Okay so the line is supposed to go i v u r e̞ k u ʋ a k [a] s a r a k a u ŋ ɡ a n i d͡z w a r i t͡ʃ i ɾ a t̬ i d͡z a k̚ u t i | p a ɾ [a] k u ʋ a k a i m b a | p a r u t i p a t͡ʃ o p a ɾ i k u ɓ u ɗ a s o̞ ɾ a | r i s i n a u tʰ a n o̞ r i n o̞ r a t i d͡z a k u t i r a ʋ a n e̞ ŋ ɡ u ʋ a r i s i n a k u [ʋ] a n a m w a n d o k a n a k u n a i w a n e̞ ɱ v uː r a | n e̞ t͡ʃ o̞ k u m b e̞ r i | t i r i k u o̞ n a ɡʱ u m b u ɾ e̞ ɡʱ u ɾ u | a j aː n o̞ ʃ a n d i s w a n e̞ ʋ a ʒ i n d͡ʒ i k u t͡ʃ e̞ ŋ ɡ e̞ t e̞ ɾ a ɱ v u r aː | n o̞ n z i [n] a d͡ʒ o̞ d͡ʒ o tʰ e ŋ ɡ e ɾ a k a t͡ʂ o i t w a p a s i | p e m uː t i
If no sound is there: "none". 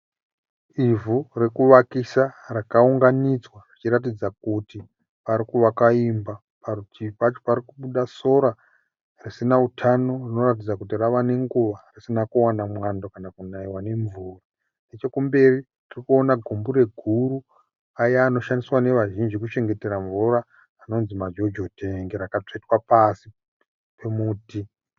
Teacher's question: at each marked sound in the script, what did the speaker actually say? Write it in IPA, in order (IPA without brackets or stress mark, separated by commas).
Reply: i, i, w, m